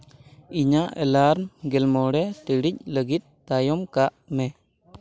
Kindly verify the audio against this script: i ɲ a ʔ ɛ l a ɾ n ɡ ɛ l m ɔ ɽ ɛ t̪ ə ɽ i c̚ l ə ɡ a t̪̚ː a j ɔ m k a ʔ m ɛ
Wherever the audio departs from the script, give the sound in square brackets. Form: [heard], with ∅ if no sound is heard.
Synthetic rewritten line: i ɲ a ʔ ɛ l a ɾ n ɡ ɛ l m ɔ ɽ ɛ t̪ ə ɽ i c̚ l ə ɡ [i] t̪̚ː a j ɔ m k a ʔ m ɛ